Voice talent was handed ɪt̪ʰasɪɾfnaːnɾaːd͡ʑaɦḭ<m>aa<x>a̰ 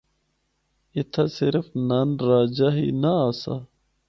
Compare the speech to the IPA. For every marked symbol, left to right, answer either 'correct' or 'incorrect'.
incorrect, incorrect

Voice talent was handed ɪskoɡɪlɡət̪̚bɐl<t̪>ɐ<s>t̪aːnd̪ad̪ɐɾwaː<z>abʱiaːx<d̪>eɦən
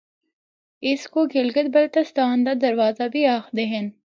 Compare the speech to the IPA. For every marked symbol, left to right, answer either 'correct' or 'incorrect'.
correct, correct, correct, correct

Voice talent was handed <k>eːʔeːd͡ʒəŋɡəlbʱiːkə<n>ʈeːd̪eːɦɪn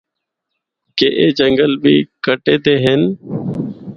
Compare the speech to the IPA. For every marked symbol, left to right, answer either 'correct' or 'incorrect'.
correct, incorrect

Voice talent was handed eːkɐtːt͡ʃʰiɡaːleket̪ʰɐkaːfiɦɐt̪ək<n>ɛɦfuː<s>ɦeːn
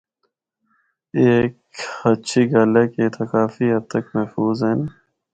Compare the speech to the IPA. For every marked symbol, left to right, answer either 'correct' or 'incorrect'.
incorrect, incorrect

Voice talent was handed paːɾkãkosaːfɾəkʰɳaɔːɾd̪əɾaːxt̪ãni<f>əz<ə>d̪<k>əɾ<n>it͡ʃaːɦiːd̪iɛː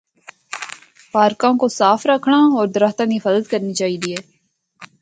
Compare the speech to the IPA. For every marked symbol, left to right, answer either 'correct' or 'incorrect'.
correct, correct, correct, correct

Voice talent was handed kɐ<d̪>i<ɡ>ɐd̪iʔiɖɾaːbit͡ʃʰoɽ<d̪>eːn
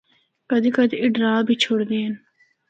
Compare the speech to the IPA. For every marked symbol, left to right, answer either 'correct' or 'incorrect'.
correct, incorrect, correct

